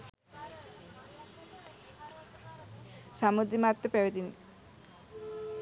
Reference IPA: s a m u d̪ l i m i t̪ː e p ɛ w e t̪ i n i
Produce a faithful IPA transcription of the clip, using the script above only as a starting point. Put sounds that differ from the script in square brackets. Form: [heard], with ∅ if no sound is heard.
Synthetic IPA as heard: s a m u d̪ [ɾ] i m [a] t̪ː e p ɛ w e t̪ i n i